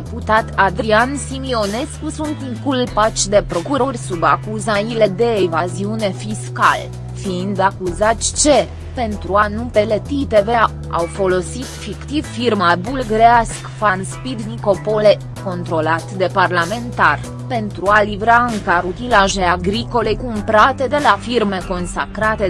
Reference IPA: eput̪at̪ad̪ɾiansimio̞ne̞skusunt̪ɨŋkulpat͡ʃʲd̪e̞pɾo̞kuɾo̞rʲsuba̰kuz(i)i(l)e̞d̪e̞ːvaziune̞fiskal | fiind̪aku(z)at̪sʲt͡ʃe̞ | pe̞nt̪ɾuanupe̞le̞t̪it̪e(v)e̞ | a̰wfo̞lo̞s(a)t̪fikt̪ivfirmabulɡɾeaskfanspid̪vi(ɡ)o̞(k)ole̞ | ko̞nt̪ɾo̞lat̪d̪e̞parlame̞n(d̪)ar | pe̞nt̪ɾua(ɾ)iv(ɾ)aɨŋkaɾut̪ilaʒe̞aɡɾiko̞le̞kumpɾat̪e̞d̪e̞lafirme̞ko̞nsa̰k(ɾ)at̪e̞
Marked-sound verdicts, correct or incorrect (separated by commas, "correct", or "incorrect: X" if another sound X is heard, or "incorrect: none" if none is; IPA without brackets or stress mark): incorrect: a, correct, correct, correct, incorrect: i, incorrect: k, incorrect: p, incorrect: t̪, incorrect: l, correct, correct